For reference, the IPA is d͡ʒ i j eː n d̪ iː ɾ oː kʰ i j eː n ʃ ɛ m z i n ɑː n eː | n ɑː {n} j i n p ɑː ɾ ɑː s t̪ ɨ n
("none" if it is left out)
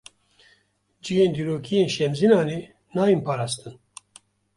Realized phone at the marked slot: none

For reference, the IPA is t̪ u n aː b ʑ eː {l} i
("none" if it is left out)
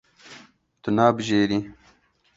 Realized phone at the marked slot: ɾ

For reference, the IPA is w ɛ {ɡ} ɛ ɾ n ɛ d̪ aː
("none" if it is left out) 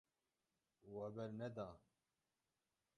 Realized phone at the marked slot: b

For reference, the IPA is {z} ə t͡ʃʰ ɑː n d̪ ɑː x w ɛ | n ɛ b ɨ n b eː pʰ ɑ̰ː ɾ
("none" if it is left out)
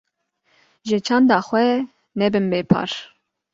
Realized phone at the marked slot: ʒ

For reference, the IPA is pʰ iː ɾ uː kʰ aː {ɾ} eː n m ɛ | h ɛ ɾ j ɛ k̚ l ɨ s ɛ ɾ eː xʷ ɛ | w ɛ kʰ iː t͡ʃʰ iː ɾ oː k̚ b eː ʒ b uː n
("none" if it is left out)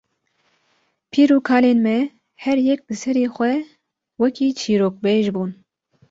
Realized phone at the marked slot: l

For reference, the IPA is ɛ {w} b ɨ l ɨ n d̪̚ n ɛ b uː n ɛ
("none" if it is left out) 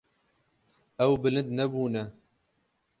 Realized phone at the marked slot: w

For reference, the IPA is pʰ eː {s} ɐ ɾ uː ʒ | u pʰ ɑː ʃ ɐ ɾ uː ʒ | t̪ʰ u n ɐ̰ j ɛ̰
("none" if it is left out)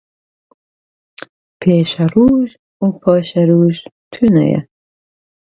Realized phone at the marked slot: ʃ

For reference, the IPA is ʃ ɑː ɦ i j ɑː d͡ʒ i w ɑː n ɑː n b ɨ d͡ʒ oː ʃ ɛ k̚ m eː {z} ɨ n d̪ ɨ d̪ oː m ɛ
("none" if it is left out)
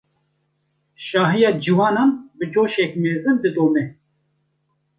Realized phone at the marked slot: z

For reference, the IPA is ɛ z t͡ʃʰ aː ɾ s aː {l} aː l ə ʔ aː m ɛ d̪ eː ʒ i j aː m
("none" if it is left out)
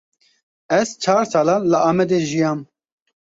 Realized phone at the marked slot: l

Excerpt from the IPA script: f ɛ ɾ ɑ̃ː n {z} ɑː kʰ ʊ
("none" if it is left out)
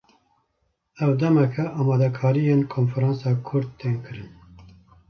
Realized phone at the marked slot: s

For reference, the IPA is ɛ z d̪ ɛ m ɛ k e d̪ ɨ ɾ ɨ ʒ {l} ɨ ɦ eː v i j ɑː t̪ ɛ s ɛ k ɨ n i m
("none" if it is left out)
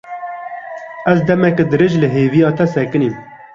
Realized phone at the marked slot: l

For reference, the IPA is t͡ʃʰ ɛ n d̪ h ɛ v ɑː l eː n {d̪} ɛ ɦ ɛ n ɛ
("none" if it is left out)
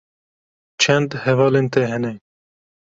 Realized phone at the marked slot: t̪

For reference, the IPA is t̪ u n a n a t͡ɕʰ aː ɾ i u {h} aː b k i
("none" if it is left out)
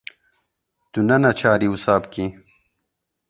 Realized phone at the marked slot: s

